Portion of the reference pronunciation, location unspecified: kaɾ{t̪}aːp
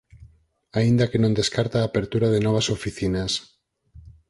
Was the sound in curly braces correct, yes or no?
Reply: yes